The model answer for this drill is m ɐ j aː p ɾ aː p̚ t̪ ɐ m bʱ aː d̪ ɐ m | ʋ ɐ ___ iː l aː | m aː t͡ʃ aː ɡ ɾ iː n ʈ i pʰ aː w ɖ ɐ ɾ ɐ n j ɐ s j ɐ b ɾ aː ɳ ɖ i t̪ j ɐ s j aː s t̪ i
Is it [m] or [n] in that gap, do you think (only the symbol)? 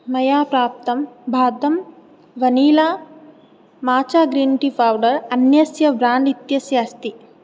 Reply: n